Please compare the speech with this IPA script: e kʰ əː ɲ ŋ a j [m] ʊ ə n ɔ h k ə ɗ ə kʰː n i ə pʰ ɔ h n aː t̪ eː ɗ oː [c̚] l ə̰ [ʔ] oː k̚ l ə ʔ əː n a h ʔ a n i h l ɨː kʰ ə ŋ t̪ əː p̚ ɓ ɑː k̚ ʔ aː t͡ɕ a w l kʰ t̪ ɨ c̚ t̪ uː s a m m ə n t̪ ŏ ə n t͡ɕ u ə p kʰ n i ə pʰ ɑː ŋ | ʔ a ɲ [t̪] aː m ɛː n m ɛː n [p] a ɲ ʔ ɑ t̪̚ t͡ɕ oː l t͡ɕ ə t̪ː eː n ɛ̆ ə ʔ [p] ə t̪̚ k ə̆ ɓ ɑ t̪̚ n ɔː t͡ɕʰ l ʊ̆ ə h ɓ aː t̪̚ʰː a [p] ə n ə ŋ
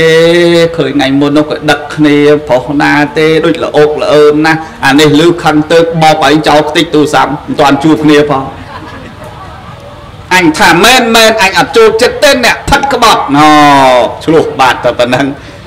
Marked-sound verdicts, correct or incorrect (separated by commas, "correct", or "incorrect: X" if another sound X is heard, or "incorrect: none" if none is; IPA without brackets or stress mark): correct, correct, correct, incorrect: t̪ʰ, incorrect: ʔ, incorrect: pʰ, correct